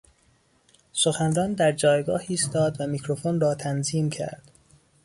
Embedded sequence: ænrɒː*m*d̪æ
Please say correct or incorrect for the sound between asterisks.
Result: incorrect